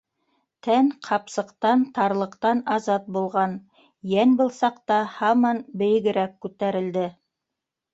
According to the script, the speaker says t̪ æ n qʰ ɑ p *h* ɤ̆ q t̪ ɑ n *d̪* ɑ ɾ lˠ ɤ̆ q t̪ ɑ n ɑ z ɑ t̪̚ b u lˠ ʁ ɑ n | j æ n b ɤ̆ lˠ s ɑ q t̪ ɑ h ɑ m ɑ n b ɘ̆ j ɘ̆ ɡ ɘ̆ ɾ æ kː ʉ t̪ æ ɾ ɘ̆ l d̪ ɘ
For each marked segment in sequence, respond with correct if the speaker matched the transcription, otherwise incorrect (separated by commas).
incorrect, incorrect